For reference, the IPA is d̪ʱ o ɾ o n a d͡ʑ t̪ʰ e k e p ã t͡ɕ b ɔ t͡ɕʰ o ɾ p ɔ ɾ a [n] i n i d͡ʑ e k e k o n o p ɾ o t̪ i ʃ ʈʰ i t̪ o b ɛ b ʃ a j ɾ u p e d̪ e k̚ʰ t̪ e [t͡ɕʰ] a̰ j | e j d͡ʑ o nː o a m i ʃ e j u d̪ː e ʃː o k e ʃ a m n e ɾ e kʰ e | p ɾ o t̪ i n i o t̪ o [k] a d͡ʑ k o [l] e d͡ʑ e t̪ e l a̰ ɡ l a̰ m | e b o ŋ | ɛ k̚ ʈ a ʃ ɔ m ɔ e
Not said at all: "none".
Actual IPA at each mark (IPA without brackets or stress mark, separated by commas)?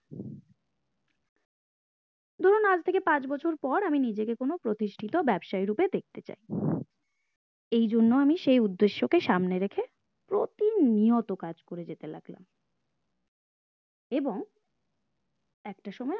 m, t͡ɕ, k, ɾ